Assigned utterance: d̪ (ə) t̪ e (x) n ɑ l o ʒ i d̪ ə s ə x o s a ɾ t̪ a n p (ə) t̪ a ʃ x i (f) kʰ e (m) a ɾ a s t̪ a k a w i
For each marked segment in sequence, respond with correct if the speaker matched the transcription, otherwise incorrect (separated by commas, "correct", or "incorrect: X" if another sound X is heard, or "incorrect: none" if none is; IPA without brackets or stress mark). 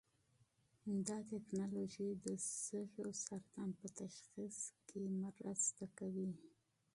incorrect: ɑ, incorrect: k, correct, incorrect: s, correct